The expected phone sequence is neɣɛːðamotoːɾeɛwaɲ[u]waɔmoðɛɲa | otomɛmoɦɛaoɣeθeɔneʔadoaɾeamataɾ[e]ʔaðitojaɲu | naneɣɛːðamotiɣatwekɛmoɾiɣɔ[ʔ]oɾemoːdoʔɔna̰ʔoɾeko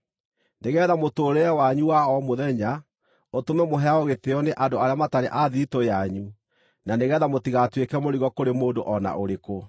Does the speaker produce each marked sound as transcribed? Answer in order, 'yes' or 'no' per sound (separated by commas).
yes, yes, no